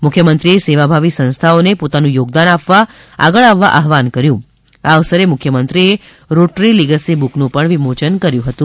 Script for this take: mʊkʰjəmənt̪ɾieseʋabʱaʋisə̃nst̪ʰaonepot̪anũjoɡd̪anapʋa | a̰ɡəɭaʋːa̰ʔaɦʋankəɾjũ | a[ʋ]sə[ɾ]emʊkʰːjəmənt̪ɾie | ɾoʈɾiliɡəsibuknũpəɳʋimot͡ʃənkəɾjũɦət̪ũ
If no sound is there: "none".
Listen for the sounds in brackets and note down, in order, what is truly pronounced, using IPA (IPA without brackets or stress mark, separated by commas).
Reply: ʋ, ɾ